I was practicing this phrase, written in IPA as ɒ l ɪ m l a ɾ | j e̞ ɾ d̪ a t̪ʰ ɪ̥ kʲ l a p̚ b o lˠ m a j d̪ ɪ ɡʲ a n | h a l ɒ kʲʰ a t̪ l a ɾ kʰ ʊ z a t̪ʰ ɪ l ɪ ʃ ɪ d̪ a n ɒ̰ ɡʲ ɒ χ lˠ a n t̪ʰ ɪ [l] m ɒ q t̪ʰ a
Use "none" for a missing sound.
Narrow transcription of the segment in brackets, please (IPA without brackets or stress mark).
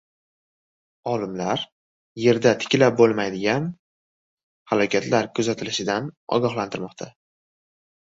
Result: ɾ